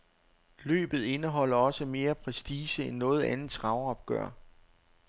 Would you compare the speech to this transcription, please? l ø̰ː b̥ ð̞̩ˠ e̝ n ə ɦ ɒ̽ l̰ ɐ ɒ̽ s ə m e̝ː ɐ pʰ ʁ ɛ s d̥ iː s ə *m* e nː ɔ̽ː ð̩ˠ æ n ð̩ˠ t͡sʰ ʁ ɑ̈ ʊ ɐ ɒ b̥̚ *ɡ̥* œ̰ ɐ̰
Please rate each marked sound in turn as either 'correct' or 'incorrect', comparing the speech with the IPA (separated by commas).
incorrect, correct